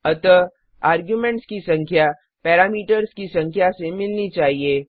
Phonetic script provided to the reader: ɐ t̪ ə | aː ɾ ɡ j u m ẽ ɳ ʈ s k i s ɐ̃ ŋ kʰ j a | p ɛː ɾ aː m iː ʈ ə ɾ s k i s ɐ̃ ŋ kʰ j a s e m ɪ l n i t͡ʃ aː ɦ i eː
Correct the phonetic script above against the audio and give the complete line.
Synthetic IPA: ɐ t̪ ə | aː ɾ ɡ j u m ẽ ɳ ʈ s k i s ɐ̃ ŋ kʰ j a | p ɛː ɾ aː m iː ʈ ə ɾ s k i s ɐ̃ ŋ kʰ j a s e m ɪ l n i t͡ʃ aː ɦ i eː